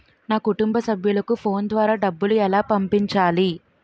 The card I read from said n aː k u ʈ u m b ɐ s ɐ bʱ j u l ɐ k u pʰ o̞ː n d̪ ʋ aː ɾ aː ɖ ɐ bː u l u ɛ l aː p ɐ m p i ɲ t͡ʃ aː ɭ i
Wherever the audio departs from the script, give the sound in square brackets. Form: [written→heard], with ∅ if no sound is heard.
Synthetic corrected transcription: n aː k u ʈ u m b ɐ s ɐ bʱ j u l ɐ k u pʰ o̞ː n d̪ ʋ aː ɾ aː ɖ ɐ bː u l u ɛ l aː p ɐ m p i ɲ t͡ʃ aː [ɭ→l] i